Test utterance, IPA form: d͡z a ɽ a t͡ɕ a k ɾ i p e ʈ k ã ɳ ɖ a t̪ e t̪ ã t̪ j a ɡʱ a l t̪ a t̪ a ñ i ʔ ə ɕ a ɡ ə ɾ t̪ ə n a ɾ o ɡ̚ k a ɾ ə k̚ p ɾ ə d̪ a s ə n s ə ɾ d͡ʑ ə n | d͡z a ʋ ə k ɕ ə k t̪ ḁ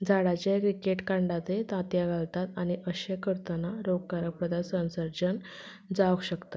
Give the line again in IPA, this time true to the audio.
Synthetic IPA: d͡z a ɽ a t͡ɕ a k ɾ i k e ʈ k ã ɳ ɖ a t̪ e t̪ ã t̪ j a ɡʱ a l t̪ a t̪ a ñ i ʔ ə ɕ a k ə ɾ t̪ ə n a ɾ o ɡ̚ k a ɾ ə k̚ p ɾ ə d̪ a s ə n s ə ɾ d͡ʑ ə n | d͡z a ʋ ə k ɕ ə k t̪ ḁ